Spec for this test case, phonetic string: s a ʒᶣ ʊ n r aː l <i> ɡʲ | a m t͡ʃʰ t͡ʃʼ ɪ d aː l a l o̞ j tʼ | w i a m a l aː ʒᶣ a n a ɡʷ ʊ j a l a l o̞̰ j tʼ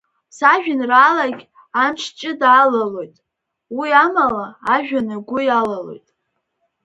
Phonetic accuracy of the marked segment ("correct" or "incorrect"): incorrect